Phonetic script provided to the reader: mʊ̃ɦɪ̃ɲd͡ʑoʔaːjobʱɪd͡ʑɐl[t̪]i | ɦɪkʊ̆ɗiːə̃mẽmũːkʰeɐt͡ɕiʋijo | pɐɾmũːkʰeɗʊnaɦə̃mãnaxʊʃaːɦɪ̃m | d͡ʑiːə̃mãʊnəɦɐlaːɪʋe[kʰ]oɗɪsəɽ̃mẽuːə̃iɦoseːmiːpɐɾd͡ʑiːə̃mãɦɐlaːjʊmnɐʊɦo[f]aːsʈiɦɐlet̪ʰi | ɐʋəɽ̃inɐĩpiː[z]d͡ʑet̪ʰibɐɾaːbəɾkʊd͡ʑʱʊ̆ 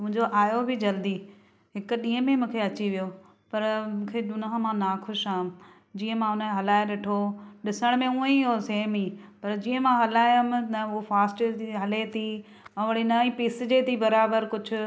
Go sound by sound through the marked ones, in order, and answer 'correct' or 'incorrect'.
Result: incorrect: d̪, incorrect: ʈʰ, correct, incorrect: s

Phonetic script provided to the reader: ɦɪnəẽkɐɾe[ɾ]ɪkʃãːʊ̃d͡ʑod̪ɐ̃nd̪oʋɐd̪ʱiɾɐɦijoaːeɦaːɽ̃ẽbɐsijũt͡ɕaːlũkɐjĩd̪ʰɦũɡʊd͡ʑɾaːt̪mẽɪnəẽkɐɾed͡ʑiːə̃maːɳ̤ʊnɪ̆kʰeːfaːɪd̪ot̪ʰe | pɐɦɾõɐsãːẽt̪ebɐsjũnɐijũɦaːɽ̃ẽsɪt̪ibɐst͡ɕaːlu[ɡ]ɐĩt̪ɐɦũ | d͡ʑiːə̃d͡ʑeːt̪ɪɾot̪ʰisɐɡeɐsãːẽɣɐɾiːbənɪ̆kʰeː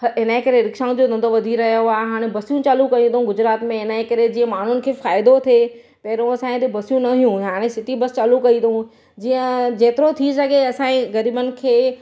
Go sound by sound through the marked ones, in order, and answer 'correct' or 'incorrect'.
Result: correct, incorrect: k

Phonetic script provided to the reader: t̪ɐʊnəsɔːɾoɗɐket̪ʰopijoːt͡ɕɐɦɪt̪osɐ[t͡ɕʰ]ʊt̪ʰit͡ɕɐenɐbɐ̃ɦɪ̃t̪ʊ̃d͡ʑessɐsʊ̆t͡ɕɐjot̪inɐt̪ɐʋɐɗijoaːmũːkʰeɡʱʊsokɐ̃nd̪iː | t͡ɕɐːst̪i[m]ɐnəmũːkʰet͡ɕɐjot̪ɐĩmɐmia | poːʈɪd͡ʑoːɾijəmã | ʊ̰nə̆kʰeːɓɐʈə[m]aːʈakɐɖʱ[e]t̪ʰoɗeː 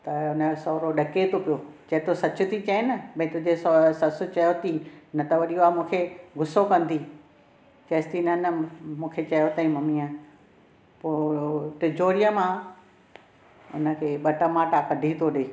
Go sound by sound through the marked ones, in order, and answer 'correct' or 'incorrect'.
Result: incorrect: t͡ɕ, incorrect: n, correct, incorrect: i

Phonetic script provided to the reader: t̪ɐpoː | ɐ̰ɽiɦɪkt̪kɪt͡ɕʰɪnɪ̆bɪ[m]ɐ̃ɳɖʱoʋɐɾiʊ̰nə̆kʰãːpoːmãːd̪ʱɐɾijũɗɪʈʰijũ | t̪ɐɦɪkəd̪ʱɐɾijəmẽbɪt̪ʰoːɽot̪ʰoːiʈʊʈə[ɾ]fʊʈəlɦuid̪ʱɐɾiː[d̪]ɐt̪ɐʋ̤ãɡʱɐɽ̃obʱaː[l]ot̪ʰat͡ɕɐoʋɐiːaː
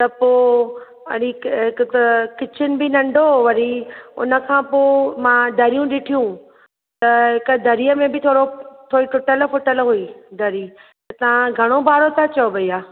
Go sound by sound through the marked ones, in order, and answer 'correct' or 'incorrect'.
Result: incorrect: n, incorrect: l, incorrect: t̪, incorrect: ɾ

